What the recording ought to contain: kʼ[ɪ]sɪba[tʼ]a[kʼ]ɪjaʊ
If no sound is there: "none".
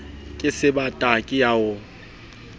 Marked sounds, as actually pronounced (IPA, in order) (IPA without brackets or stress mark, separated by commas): ɪ, tʼ, kʼ